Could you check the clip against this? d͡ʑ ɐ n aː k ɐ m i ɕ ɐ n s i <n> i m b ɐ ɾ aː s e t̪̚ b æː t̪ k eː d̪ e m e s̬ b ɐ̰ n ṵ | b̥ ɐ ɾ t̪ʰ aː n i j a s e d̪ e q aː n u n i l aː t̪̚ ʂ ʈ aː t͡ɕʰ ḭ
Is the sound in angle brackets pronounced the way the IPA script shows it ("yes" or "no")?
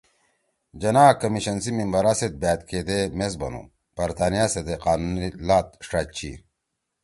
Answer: no